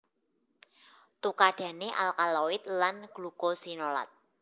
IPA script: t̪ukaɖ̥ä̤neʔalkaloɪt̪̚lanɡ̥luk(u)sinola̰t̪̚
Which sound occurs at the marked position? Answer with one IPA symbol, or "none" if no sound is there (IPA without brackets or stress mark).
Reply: o